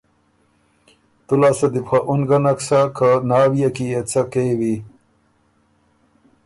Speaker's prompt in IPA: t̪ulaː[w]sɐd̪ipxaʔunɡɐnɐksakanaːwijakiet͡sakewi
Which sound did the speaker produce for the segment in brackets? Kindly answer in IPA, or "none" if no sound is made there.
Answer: none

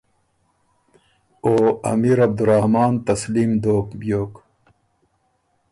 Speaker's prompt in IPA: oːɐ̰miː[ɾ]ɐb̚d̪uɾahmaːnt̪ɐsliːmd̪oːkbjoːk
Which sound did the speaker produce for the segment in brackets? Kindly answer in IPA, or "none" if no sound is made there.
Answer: ɾ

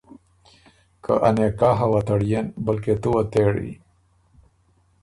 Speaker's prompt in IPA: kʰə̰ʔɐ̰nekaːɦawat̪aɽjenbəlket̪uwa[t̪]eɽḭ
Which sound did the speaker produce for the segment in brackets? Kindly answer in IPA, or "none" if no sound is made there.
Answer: t̪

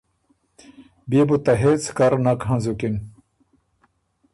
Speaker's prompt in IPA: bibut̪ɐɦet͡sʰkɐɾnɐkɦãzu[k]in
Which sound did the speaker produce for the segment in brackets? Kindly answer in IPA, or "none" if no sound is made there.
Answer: k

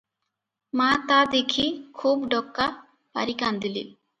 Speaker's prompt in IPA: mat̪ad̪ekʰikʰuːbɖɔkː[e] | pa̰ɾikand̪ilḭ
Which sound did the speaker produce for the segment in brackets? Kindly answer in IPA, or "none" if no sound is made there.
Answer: a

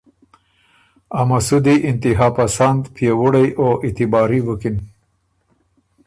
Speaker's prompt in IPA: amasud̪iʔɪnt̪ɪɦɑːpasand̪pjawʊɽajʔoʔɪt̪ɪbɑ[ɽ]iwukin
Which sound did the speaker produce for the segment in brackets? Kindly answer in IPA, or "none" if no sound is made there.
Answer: ɾ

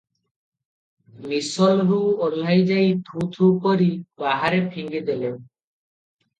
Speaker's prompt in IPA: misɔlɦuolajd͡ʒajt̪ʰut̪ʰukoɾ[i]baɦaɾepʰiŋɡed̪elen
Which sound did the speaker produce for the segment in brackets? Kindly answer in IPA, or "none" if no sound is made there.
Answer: i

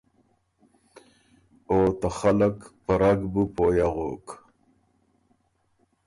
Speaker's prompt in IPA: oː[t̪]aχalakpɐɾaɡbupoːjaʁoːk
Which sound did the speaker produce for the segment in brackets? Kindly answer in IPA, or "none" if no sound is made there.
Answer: t̪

